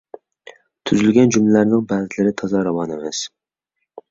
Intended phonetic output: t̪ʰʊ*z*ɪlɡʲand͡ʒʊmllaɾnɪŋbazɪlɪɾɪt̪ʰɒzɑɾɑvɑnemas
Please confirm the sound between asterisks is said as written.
yes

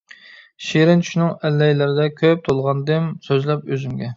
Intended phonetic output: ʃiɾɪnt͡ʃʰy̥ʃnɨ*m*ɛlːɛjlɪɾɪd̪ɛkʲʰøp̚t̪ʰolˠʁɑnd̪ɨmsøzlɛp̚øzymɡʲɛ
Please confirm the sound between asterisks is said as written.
no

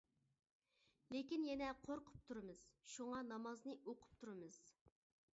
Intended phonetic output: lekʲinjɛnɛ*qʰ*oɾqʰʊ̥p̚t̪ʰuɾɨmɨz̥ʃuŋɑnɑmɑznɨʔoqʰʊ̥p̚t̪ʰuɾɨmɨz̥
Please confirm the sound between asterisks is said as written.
yes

